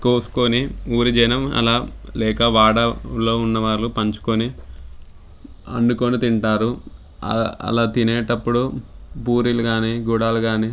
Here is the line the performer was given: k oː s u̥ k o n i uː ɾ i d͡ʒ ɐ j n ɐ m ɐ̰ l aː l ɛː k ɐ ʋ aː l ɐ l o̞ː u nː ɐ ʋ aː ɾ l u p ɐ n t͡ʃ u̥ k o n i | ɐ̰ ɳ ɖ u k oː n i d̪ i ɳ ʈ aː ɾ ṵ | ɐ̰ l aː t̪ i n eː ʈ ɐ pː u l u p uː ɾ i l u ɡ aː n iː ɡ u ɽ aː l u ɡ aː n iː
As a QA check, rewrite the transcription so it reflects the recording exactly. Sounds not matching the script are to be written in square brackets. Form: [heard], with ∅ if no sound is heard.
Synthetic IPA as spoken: k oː s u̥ k o n i uː ɾ i d͡ʒ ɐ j n ɐ m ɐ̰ l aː l ɛː k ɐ ʋ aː [ɽ] ɐ l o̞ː u nː ɐ ʋ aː ɾ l u p ɐ [ɲ] t͡ʃ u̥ k o n i | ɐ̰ ɳ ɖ u k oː n i [t̪] i ɳ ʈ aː ɾ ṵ | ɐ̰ l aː t̪ i n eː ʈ ɐ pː u [ɽ] u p uː ɾ i l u ɡ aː n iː ɡ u ɽ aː l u ɡ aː n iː